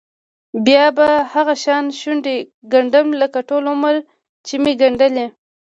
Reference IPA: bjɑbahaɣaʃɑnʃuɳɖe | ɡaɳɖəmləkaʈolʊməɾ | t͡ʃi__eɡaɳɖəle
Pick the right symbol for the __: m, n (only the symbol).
m